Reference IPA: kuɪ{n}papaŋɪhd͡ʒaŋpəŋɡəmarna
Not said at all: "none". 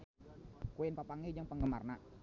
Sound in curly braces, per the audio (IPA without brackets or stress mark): n